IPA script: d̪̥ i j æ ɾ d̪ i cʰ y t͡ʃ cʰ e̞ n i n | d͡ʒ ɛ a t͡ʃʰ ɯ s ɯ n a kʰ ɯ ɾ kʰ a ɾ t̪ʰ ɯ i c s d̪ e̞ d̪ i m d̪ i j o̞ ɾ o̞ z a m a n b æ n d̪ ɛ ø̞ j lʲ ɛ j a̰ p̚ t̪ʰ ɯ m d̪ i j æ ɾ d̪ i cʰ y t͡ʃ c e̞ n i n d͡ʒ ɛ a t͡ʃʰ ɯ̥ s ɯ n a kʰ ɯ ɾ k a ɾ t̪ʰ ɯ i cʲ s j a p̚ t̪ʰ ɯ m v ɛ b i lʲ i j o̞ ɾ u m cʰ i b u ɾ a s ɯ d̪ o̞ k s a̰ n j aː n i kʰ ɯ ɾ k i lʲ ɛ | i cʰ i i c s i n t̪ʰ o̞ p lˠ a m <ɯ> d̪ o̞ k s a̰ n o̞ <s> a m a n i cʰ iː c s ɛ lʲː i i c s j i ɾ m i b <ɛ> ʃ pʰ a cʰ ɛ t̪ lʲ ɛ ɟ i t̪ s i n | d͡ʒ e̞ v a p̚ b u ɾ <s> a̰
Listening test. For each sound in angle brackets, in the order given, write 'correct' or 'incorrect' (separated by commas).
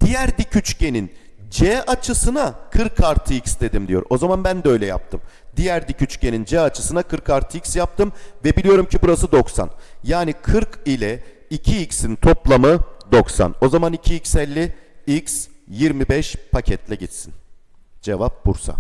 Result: correct, incorrect, correct, correct